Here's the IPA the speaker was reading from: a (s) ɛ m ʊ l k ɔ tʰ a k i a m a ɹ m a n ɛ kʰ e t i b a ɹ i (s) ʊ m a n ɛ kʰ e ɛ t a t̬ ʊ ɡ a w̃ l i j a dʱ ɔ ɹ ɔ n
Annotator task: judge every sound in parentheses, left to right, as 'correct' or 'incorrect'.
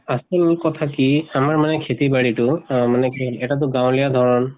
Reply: correct, incorrect: t

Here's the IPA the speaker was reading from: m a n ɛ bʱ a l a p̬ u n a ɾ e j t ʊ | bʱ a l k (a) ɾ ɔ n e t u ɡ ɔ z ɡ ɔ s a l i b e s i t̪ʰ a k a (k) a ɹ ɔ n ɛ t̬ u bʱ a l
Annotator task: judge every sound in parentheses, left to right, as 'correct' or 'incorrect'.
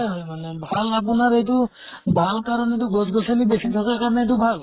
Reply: correct, correct

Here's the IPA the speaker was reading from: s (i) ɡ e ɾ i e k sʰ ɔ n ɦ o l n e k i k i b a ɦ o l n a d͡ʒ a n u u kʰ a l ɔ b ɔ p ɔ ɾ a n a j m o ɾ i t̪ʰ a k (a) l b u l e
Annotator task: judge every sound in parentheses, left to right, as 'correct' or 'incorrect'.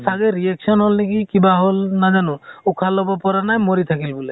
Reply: incorrect: a, incorrect: i

